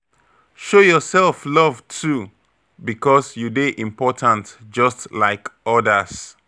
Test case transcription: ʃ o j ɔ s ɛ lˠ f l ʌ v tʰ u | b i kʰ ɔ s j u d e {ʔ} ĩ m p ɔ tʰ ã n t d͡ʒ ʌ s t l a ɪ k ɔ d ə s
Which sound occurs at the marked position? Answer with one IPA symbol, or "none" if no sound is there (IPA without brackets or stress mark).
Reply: ʔ